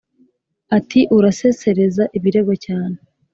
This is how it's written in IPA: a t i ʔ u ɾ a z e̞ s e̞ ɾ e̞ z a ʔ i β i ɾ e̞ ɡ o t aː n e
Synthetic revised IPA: a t i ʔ u ɾ a s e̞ s e̞ ɾ e̞ z a ʔ i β i ɾ e̞ ɡ o c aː n e